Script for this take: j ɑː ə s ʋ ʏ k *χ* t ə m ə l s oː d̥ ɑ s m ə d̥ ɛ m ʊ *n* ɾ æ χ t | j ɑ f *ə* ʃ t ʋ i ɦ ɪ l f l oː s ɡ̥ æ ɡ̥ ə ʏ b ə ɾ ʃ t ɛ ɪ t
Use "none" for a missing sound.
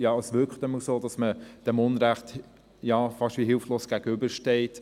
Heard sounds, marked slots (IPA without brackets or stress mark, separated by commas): χ, n, ɑ